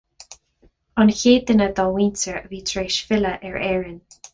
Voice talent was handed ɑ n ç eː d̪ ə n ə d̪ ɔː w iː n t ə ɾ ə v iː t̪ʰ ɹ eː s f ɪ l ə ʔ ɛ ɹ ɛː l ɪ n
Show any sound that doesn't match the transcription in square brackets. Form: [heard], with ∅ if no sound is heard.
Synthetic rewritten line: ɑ n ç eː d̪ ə n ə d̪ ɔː w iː n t ə [ɹ] ə v iː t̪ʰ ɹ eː [ʃ] f ɪ l ə ʔ ɛ ɹ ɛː [ɹ] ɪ n